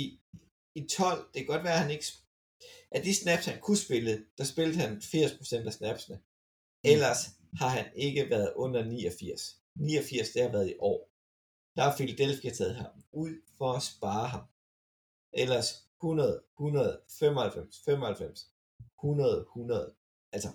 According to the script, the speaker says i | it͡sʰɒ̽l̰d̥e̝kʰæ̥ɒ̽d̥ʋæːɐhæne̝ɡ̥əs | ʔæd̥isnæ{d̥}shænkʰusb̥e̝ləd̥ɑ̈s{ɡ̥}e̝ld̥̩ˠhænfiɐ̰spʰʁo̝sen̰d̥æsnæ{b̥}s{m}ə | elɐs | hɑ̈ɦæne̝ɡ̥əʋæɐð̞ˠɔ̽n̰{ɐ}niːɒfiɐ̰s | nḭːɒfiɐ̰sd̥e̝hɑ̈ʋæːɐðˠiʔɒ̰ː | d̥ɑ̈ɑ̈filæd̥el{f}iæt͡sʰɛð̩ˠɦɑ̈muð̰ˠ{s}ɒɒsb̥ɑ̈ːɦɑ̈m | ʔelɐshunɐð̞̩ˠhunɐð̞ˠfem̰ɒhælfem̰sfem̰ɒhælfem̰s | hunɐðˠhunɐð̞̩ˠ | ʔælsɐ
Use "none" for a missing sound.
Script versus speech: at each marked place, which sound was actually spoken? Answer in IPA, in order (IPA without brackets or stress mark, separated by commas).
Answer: b̥, b̥, b̥, n, ɐ, f, f